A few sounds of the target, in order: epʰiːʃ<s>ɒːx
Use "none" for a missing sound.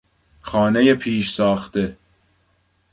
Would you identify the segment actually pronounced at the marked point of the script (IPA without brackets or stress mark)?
s